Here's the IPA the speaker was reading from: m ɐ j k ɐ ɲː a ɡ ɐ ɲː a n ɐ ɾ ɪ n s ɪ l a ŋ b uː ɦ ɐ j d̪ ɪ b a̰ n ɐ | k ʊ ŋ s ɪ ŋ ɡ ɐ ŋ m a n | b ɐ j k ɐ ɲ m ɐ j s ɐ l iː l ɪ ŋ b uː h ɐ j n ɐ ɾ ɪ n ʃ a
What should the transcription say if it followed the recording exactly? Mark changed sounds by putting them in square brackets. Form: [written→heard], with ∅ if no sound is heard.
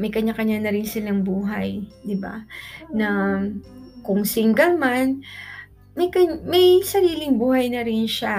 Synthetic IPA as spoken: m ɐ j k ɐ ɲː a [ɡ→k] ɐ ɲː a n ɐ ɾ ɪ n s ɪ l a ŋ b uː ɦ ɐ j d̪ ɪ b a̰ n ɐ | k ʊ ŋ s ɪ ŋ ɡ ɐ ŋ m a n | [b→m] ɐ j k ɐ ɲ m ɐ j s ɐ [l→ɾ] iː l ɪ ŋ b uː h ɐ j n ɐ ɾ ɪ n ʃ a